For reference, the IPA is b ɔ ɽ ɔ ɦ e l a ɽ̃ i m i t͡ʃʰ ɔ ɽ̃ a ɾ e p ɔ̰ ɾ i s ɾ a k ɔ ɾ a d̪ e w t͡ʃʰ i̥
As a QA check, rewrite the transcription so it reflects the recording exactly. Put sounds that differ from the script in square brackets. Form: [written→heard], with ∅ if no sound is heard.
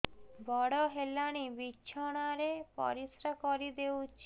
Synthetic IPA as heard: b ɔ ɽ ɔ ɦ e l a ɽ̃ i [m→b] i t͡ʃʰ ɔ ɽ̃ a ɾ e p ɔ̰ ɾ i s ɾ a k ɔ ɾ [a→i] d̪ e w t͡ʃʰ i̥